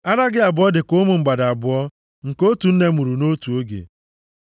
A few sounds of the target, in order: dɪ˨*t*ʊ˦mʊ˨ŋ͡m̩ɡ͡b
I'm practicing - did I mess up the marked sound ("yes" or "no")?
yes